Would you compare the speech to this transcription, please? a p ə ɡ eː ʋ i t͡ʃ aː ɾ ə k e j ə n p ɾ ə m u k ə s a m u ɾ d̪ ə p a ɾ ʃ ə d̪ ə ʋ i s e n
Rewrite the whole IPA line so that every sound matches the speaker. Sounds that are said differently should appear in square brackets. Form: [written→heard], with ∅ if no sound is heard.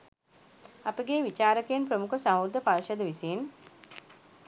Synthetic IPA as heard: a p ə ɡ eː ʋ i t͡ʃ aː ɾ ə k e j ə n p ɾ ə m u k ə s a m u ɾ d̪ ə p a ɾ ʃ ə d̪ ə ʋ i s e n